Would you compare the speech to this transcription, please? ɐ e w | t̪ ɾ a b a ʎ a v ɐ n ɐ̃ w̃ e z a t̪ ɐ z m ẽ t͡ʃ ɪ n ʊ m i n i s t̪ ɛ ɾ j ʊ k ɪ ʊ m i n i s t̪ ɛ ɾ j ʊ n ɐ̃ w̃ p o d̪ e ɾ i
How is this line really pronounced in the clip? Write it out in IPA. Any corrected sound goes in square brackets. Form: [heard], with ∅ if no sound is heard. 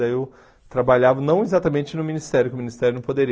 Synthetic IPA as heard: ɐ e w | t̪ ɾ a b a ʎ a v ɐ n ɐ̃ w̃ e z a t̪ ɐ [∅] m ẽ t͡ʃ ɪ n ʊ m i n i s t̪ ɛ ɾ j ʊ k ɪ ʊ m i n i s t̪ ɛ ɾ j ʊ n ɐ̃ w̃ p o d̪ e ɾ i